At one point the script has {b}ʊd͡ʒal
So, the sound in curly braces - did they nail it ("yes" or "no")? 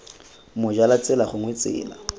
no